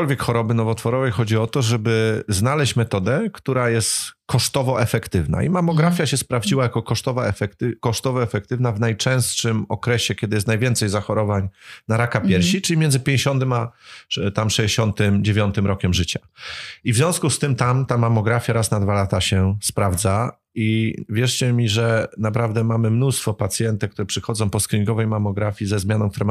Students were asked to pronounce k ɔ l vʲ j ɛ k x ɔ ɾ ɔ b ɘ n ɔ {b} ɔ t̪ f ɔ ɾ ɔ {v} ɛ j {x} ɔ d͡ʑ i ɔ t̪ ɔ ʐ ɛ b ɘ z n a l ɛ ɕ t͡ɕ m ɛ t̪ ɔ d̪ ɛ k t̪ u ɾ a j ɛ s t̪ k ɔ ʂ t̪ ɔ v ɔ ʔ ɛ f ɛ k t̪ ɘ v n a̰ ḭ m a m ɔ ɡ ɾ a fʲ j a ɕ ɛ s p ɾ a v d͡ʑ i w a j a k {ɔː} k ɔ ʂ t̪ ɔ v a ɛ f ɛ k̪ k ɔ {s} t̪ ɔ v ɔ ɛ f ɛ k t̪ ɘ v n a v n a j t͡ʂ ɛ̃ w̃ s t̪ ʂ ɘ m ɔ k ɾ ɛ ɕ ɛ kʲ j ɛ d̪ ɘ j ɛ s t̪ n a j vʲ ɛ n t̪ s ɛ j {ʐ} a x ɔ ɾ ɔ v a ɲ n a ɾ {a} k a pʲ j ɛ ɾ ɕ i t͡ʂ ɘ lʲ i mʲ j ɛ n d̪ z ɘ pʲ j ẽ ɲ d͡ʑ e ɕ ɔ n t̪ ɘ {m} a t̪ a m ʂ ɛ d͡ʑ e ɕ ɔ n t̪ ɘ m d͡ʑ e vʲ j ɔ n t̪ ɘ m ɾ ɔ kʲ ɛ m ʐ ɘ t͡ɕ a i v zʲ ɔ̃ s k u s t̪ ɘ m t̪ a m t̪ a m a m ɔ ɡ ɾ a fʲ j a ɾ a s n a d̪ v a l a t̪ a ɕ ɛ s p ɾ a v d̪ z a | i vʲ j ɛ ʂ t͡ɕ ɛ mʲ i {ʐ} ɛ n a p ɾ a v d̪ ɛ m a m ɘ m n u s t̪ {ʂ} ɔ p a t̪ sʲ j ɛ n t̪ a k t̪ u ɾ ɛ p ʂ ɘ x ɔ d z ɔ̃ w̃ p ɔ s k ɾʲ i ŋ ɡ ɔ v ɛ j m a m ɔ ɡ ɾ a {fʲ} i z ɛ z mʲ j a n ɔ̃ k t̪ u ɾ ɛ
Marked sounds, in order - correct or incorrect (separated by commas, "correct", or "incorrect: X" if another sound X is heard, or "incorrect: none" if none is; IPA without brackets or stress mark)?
incorrect: v, correct, correct, incorrect: ɔ, incorrect: ʂ, incorrect: z, correct, correct, correct, incorrect: f, correct